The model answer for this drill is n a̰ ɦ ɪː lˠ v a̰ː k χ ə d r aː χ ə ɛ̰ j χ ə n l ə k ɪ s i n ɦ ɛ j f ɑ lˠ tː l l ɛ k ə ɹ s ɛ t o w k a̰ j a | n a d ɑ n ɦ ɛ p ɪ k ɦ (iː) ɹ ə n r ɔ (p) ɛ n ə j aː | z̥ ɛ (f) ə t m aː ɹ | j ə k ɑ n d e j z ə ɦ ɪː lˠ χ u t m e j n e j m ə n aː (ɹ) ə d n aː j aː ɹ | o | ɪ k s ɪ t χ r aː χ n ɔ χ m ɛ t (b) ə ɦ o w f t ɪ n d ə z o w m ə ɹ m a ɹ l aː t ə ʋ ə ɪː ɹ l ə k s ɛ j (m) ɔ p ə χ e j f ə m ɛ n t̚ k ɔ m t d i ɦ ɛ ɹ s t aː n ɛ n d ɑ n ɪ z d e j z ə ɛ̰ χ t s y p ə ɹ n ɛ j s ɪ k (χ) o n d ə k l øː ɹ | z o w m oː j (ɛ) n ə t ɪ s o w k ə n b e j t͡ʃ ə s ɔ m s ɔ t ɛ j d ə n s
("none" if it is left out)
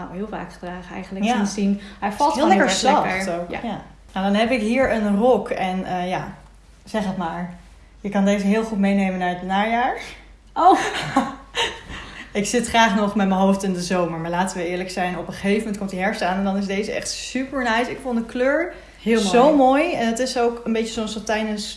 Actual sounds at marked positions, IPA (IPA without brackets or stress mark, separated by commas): iː, k, χ, ɹ, m, n, f, ɛ